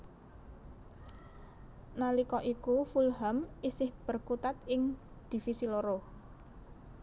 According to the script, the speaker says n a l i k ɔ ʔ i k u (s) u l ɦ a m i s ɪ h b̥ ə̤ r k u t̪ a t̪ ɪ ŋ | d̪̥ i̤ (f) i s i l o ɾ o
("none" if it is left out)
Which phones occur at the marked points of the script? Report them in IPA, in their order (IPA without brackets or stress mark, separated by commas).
f, f